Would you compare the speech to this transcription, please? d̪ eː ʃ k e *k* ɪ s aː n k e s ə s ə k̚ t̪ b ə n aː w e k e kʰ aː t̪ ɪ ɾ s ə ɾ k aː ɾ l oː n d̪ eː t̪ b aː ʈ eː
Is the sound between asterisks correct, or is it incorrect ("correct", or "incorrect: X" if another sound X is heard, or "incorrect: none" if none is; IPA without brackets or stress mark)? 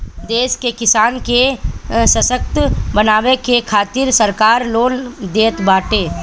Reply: correct